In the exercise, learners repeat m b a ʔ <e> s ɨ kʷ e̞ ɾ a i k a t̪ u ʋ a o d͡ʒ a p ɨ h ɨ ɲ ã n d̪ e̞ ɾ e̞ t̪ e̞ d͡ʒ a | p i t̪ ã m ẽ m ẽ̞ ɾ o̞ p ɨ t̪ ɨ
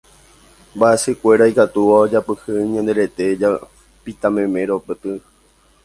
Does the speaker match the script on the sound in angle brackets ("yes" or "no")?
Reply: yes